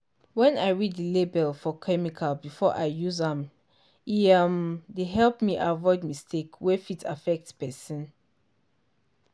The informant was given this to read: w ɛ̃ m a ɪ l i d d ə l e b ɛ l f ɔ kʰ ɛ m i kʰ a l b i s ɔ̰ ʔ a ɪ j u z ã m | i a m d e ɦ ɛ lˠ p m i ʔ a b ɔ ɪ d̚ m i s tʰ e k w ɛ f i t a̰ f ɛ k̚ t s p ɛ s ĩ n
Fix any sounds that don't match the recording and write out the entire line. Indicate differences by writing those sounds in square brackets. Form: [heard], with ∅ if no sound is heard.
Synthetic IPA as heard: w ɛ̃ [n] a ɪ [ɹ] i d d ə l e b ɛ l f ɔ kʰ ɛ m i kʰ a l b i [f] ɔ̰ ʔ a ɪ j u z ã m | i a m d e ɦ ɛ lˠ p m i ʔ a [v] ɔ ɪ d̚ m i s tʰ e k w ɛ f i t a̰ f ɛ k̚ t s p ɛ s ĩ n